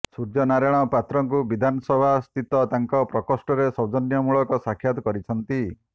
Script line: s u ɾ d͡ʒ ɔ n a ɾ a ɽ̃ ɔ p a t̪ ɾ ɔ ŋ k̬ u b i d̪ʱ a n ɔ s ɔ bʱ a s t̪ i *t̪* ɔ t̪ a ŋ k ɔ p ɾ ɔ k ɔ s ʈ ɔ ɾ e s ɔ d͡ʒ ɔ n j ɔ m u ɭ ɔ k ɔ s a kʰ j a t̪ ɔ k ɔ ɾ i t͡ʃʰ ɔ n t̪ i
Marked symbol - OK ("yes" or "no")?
yes